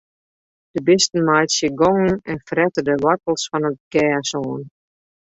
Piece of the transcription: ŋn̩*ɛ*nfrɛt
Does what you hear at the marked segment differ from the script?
no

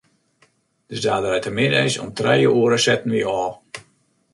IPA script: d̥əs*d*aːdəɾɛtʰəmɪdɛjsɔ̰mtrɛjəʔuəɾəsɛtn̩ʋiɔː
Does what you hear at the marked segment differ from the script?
no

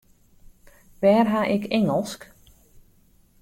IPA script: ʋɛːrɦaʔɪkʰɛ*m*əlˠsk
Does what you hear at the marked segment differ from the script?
yes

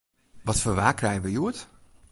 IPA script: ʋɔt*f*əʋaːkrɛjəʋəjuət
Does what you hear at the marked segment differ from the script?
no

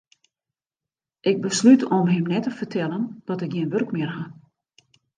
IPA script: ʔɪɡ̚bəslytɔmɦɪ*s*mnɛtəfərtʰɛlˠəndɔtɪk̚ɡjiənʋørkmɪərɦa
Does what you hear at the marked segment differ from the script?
yes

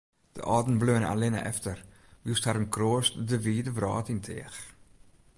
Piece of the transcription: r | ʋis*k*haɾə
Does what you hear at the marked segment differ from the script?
yes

